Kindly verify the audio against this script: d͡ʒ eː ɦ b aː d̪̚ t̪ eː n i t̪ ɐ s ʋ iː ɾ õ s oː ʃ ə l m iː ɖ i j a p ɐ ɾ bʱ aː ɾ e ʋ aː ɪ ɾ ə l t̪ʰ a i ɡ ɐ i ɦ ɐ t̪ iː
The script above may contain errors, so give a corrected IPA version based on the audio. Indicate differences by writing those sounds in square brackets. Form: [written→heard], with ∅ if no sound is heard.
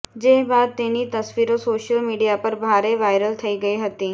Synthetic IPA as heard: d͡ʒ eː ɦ b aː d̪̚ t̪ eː n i t̪ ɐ s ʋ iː ɾ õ s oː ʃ ə l m iː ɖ i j a p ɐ ɾ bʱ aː ɾ e ʋ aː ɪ ɾ ə l t̪ʰ [a→ɐ] i ɡ ɐ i ɦ ɐ t̪ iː